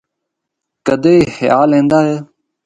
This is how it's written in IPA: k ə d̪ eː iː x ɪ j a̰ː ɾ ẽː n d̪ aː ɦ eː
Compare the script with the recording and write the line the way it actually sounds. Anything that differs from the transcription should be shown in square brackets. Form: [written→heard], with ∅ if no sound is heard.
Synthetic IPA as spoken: k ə d̪ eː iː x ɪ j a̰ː [ɾ→l] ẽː n d̪ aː ɦ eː